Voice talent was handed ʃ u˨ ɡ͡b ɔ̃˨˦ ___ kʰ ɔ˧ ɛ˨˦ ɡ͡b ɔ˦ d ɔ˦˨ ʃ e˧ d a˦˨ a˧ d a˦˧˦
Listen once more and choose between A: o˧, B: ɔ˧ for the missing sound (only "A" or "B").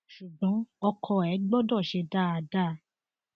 B